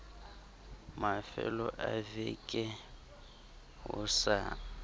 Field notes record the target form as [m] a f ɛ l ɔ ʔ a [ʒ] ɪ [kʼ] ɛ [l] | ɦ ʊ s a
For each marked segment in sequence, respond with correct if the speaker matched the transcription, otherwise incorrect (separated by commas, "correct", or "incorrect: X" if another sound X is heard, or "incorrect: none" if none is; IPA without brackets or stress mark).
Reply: correct, incorrect: v, correct, incorrect: none